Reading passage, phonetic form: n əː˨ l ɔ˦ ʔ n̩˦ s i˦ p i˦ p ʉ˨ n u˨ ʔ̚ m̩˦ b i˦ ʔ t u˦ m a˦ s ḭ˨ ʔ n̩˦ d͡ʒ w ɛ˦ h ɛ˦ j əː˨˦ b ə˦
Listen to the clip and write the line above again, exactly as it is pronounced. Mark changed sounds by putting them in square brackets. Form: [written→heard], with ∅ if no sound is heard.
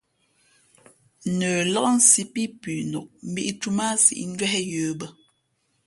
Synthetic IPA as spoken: n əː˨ l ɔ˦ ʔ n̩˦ s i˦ p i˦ p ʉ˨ n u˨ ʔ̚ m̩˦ b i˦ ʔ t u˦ m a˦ s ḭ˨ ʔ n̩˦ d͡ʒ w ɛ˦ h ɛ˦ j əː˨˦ b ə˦